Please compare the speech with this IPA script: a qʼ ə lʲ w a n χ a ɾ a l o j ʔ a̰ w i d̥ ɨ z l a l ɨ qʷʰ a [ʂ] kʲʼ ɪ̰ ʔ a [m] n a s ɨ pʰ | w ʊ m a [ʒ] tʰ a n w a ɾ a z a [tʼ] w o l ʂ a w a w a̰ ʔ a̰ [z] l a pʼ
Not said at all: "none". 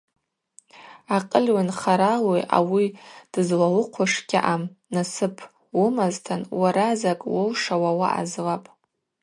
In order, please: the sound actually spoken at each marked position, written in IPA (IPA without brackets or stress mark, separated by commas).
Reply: ʂ, m, z, kʼ, z